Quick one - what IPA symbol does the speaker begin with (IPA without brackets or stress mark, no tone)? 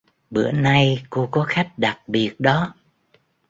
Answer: ɓ